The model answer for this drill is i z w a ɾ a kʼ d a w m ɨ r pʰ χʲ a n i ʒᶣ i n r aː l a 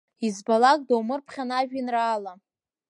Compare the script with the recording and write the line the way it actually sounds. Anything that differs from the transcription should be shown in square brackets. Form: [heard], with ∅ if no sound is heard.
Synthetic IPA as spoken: i z [b] a [l] a kʼ d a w m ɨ r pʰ χʲ a n [a] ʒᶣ i n r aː l a